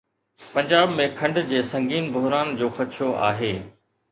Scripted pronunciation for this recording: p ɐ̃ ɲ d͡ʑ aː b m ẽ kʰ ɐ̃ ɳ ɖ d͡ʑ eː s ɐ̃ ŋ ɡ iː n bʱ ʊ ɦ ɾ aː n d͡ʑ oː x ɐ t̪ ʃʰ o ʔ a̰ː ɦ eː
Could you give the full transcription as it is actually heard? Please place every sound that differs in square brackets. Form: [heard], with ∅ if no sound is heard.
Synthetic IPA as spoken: p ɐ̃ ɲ d͡ʑ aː b m ẽ kʰ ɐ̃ ɳ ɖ d͡ʑ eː s ɐ̃ ŋ ɡ iː n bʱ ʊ ɦ ɾ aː n d͡ʑ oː x ɐ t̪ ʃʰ o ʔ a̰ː ɦ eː